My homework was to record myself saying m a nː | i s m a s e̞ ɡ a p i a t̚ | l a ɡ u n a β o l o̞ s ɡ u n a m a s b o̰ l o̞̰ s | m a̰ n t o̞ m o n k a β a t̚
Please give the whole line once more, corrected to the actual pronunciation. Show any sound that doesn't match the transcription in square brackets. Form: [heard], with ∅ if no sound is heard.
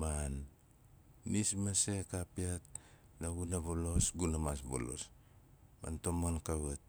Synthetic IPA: m a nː | i s m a s e̞ [k] a p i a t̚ | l a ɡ u n a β o l o̞ s ɡ u n a m a s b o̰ l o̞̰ s | m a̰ n t o̞ m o n k a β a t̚